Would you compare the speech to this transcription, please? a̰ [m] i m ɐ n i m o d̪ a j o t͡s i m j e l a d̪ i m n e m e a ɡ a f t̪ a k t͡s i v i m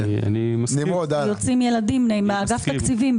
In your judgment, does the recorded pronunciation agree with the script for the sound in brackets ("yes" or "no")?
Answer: no